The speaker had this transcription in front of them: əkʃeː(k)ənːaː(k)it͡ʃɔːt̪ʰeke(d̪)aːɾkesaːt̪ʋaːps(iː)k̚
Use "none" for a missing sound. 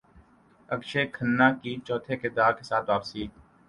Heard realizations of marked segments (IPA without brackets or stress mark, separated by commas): kʰ, k, d̪, iː